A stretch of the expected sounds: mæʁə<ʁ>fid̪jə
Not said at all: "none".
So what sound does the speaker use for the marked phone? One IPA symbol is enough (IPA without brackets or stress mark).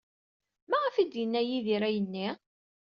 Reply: none